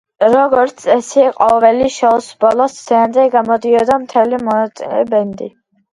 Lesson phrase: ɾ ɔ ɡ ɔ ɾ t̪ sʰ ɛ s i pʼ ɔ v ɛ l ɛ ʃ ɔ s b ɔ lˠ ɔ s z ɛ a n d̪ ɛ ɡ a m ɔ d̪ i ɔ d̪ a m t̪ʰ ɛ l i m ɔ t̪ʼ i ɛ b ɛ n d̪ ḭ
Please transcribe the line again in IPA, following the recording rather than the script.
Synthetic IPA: ɾ ɔ ɡ ɔ ɾ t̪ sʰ ɛ s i qʼ ɔ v ɛ l i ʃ ɔ s b ɔ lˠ ɔ s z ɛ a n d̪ ɛ ɡ a m ɔ d̪ i ɔ d̪ a m t̪ʰ ɛ l i m ɔ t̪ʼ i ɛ b ɛ n d̪ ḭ